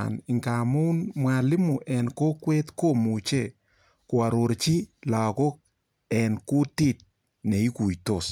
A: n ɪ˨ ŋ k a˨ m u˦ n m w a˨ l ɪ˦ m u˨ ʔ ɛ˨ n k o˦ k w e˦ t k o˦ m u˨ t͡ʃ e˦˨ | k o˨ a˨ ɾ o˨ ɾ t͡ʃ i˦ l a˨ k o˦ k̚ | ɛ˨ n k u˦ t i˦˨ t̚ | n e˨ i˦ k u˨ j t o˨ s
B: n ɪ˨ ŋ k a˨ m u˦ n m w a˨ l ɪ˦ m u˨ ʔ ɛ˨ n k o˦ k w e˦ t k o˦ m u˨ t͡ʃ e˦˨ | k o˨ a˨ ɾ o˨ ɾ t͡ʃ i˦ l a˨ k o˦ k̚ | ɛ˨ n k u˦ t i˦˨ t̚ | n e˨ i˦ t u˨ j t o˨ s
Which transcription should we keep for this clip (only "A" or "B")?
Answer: A